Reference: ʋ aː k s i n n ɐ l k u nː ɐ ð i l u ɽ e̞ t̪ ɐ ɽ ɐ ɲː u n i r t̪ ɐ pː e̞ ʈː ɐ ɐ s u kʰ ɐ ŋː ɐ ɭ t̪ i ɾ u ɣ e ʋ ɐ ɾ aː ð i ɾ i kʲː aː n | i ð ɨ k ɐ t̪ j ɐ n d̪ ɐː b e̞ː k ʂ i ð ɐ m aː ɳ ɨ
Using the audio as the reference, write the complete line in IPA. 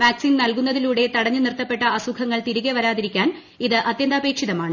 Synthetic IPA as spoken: ʋ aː k s i n n ɐ l k u nː ɐ ð i l uː ɽ e̞ t̪ ɐ ɽ ɐ ɲː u n i r t̪ ɐ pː e̞ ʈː ɐ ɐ s u kʰ ɐ ŋː ɐ ɭ t̪ i ɾ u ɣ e ʋ ɐ ɾ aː ð i ɾ i kʲː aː n | i ð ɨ ʔ ɐ t̪ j ɐ n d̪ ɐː b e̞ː k ʂ i ð ɐ m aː ɳ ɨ